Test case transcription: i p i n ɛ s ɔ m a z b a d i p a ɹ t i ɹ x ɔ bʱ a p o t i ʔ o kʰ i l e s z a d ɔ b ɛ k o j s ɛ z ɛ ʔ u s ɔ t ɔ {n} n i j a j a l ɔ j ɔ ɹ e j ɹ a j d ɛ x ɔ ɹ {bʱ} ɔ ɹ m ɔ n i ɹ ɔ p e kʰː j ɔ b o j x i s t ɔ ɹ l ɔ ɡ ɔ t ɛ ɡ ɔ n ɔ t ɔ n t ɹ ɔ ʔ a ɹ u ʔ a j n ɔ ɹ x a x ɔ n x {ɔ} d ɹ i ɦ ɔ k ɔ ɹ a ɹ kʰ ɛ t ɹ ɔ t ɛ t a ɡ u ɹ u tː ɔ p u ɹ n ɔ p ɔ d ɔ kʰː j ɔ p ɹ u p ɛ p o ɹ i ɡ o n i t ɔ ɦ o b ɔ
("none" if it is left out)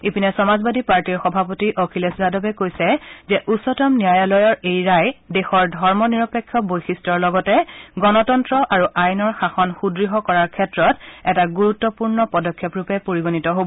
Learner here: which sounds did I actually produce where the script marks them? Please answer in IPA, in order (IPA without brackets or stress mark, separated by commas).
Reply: m, dʱ, u